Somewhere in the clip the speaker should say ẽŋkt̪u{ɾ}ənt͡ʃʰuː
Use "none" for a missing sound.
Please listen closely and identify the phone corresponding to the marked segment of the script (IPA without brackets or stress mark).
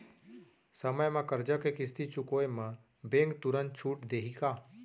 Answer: ɾ